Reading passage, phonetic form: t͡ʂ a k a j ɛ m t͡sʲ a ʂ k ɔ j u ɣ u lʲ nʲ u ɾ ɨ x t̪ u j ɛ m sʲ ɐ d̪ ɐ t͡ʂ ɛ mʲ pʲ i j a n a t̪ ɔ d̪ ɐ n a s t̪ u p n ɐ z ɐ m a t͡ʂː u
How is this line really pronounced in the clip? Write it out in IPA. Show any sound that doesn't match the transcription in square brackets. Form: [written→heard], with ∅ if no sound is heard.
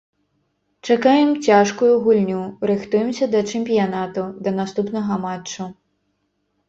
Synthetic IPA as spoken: t͡ʂ a k a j ɛ m t͡sʲ a ʂ k [ɔ→u] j u ɣ u lʲ nʲ u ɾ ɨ x t̪ u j ɛ m sʲ ɐ d̪ ɐ t͡ʂ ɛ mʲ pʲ i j a n a t̪ [ɔ→u] d̪ ɐ n a s t̪ u p n ɐ [z→ɣ] ɐ m a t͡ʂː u